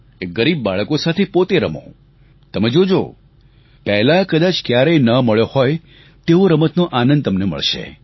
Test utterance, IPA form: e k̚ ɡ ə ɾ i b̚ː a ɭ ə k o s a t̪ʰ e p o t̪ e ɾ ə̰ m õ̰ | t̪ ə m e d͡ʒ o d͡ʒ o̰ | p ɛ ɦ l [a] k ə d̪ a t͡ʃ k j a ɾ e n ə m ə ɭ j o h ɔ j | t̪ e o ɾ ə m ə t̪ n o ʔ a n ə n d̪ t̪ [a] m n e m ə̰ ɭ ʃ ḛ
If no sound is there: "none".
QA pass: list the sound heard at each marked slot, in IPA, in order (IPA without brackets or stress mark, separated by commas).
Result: a, ə